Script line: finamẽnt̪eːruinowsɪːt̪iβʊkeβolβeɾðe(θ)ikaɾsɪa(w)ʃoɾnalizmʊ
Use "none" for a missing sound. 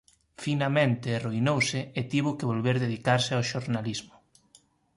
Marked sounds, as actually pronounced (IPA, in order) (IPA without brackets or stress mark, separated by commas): ð, w